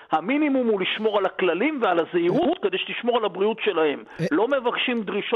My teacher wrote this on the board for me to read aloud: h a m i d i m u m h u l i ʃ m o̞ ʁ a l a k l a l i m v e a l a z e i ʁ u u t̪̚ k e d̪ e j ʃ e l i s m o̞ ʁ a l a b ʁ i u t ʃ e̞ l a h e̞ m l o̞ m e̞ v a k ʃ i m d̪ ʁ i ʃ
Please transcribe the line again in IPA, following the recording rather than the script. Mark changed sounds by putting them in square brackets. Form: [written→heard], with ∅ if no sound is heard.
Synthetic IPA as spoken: h a m i [d→n] i m u m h u l i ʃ m o̞ ʁ a l a k l a l i m v e a l a z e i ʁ u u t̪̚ k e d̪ e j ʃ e l i [s→ʃ] m o̞ ʁ a l a b ʁ i u t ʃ e̞ l a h e̞ m l o̞ m e̞ v a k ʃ i m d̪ ʁ i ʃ